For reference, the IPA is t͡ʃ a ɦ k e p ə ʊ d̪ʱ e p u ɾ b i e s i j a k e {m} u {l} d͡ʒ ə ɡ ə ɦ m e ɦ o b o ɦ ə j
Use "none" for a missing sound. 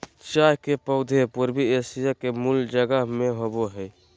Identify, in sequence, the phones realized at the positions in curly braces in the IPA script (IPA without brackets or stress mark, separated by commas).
m, l